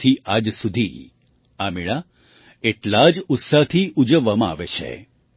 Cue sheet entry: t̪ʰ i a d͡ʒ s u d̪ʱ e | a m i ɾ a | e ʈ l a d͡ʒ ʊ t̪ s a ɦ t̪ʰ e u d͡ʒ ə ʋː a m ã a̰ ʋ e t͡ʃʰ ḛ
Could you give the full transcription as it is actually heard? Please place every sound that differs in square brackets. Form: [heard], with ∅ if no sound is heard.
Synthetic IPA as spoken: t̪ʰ i a d͡ʒ s u d̪ʱ [i] | a m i [ɭ] a | e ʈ l a d͡ʒ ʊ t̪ s a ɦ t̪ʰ [i] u d͡ʒ ə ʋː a m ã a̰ ʋ e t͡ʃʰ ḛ